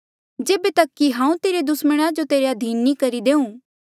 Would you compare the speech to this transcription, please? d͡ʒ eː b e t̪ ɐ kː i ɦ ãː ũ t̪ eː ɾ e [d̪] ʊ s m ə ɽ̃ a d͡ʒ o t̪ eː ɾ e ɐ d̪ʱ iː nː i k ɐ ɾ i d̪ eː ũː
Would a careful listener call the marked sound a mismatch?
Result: no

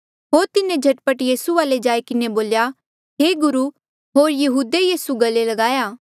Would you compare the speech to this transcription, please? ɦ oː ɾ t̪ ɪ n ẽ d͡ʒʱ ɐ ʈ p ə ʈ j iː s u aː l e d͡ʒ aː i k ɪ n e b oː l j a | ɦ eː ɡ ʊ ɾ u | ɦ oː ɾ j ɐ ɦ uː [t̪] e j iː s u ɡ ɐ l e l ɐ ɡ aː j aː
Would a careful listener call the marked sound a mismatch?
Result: yes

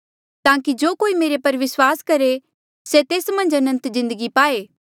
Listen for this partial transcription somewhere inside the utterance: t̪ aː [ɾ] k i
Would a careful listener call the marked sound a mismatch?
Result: yes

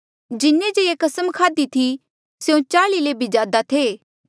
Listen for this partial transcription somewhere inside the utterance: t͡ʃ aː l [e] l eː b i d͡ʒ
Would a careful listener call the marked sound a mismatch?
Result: yes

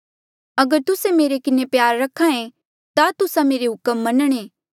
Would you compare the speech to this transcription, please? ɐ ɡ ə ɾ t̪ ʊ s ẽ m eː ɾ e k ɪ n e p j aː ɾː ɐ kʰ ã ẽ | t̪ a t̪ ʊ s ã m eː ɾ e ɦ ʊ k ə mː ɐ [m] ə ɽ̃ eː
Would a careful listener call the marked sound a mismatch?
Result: yes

